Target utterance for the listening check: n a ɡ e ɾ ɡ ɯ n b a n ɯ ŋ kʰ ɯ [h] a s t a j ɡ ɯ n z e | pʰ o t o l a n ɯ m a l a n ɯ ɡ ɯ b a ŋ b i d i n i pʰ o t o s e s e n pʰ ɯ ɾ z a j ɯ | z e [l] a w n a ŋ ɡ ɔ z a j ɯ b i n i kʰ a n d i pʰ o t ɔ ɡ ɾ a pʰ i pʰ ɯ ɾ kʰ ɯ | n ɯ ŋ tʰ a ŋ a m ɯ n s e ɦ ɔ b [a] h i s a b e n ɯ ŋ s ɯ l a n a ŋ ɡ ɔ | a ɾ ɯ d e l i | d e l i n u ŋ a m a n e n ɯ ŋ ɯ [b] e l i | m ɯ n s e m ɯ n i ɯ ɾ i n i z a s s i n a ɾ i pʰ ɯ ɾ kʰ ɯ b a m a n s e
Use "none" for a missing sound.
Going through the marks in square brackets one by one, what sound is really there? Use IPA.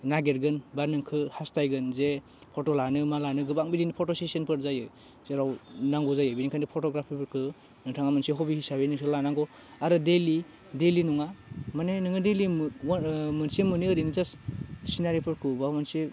h, ɾ, i, d

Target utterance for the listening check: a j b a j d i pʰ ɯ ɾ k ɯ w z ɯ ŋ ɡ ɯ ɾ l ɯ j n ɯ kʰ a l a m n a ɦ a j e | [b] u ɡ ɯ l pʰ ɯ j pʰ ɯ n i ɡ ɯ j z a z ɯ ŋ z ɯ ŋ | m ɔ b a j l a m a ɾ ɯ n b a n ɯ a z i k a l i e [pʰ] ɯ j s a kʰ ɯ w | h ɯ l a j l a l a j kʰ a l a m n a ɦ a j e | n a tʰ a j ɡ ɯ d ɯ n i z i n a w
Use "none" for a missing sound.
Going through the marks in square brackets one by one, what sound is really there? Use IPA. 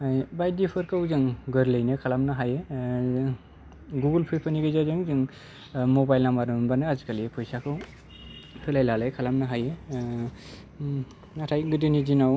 ɡ, pʰ

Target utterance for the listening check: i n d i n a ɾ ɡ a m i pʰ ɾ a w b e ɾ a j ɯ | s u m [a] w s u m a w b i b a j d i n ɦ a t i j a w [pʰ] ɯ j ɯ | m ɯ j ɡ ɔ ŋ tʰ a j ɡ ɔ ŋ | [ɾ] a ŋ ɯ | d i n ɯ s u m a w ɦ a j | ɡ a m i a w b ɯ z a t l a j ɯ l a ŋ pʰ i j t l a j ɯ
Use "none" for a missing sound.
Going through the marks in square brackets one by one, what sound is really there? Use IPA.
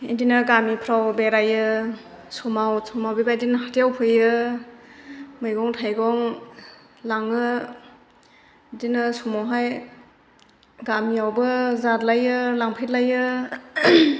a, pʰ, l

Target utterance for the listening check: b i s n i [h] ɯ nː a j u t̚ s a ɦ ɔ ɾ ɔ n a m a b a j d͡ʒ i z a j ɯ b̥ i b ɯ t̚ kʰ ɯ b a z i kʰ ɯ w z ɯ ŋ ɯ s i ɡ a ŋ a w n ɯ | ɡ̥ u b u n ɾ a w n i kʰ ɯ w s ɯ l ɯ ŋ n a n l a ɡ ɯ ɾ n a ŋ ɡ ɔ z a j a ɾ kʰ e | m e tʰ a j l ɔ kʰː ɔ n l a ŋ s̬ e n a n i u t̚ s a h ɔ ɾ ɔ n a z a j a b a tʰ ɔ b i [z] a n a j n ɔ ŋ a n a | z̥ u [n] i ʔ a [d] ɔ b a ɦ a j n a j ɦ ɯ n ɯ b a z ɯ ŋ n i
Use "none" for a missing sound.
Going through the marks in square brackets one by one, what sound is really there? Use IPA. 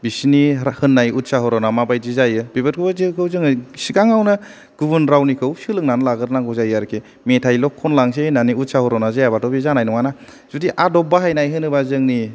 h, z, d, d

